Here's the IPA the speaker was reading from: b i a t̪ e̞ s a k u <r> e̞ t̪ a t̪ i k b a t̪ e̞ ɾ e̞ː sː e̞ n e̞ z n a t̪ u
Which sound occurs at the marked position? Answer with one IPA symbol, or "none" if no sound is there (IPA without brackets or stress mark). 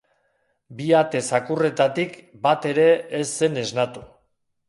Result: r